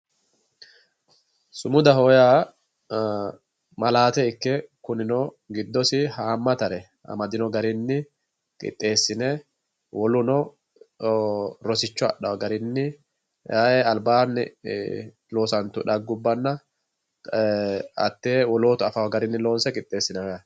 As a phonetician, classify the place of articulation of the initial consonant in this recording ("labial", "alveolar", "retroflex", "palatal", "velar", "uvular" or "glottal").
alveolar